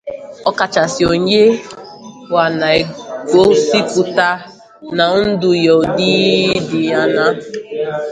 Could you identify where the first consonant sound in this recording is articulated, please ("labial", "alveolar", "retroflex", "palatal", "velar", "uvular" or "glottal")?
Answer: velar